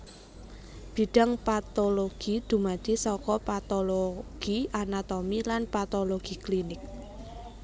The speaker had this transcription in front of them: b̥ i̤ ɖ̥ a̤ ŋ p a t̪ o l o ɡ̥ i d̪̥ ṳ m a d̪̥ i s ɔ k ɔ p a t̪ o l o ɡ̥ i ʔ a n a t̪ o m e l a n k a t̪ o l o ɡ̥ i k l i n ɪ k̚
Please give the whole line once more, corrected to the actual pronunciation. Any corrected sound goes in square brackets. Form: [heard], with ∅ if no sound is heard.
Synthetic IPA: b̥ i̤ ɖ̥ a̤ ŋ p a t̪ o l o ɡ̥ i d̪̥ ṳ m a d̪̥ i s ɔ k ɔ p a t̪ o l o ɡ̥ i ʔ a n a t̪ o m [i] l a n [p] a t̪ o l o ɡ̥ i k l i n ɪ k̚